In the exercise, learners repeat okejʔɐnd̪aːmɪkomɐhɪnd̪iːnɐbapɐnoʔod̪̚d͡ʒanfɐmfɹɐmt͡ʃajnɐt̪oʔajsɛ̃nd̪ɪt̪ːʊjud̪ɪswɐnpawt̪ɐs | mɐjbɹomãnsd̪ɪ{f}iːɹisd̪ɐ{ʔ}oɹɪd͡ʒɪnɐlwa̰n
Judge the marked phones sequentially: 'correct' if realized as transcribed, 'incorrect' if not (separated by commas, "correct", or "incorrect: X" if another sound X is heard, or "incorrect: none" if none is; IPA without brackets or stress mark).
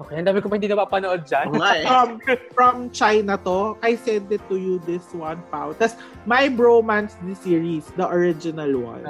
incorrect: s, correct